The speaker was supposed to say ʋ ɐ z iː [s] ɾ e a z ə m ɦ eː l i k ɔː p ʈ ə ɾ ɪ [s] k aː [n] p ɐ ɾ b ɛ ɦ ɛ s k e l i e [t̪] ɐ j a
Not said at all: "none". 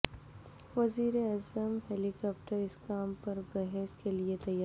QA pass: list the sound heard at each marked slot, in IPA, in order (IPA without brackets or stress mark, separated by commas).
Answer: none, s, m, t̪